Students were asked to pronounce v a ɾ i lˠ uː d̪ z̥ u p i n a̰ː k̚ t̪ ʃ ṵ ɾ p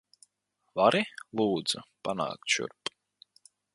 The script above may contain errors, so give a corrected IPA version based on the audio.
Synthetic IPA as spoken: v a ɾ i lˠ uː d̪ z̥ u p a n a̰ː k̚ t̪ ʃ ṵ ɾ p